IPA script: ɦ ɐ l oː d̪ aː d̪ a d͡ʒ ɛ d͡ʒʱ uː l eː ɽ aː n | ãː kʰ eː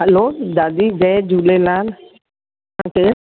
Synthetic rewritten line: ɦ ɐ l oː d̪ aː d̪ i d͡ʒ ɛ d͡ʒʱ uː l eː l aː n | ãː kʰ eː

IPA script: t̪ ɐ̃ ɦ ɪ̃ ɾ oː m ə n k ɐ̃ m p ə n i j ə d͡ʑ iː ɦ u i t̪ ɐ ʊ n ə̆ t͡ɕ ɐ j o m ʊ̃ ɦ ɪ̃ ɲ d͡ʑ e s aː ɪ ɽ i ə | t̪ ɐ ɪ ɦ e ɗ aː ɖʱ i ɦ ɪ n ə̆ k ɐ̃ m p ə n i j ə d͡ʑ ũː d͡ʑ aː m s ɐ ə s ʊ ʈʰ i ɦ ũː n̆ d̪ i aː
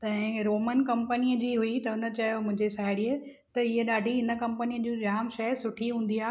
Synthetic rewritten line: t̪ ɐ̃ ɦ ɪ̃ ɾ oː m ə n k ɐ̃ m p ə n i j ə d͡ʑ iː ɦ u i t̪ ɐ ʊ n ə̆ t͡ɕ ɐ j o m ʊ̃ ɦ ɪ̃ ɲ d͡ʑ e s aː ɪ ɽ i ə | t̪ ɐ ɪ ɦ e ɗ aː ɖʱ i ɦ ɪ n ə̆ k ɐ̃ m p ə n i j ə d͡ʑ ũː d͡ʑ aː m ʃ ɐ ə s ʊ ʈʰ i ɦ ũː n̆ d̪ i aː

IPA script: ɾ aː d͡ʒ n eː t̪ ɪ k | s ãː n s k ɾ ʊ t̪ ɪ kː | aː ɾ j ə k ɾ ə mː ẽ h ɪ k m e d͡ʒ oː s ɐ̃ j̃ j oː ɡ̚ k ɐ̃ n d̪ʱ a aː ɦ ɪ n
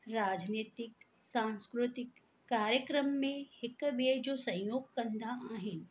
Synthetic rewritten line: ɾ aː d͡ʒ n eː t̪ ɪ k | s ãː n s k ɾ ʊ t̪ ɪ kː | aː ɾ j ə k ɾ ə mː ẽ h ɪ k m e d͡ʒ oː s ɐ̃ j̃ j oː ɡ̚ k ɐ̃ n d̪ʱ a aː ɦ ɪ n

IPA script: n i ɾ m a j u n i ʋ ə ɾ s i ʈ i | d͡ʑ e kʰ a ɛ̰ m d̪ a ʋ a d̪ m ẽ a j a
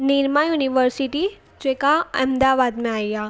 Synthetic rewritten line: n i ɾ m a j u n i ʋ ə ɾ s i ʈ i | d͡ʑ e k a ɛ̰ m d̪ a ʋ a d̪ m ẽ a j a

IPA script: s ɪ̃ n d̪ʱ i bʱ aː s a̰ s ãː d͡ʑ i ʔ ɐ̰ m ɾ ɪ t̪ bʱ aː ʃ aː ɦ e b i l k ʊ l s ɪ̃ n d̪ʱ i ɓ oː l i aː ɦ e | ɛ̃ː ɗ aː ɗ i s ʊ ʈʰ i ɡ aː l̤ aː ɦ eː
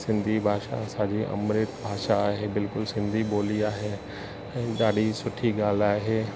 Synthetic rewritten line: s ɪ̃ n d̪ʱ i bʱ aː ʃ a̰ s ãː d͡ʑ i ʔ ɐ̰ m ɾ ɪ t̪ bʱ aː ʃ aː ɦ e b ɪ l k ʊ l s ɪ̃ n d̪ʱ i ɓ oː l i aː ɦ e | ɛ̃ː ɗ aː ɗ i s ʊ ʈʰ i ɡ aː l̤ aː ɦ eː

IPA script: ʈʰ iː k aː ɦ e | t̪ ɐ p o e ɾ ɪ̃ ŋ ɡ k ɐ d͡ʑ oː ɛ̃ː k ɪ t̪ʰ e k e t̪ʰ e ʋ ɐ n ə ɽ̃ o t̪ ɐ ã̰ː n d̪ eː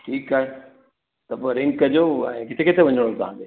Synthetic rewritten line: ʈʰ iː k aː ɦ e | t̪ ɐ p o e ɾ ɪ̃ ŋ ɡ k ɐ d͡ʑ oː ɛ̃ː k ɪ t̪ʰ e k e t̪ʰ e ʋ ɐ ɲ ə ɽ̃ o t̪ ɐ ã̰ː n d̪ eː

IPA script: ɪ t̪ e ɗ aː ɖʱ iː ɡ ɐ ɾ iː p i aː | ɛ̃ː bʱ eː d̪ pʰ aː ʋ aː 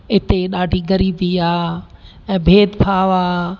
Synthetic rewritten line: ɪ t̪ e ɗ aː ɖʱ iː ɡ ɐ ɾ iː b i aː | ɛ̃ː bʱ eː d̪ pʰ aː ʋ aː

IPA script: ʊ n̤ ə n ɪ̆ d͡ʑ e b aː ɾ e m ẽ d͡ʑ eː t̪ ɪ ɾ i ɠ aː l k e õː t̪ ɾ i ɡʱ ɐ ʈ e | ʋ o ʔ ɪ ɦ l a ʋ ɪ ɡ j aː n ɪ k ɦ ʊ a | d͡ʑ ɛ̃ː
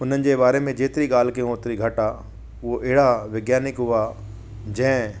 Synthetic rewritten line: ʊ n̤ ə n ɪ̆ d͡ʑ e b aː ɾ e m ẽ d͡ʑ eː t̪ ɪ ɾ i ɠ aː l k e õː t̪ ɾ i ɡʱ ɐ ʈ a | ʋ o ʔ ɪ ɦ ɽ a ʋ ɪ ɡ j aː n ɪ k ɦ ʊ a | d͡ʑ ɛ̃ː

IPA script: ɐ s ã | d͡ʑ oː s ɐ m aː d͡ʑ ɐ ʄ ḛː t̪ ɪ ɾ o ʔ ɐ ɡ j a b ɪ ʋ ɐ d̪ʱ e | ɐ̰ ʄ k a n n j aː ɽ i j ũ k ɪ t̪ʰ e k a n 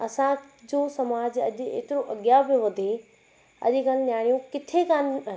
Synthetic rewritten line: ɐ s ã | d͡ʑ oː s ɐ m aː d͡ʑ ɐ ʄ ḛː t̪ ɪ ɾ o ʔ ɐ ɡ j a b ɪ ʋ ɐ d̪ʱ e | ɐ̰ ʄ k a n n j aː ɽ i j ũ k ɪ t̪ʰ e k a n

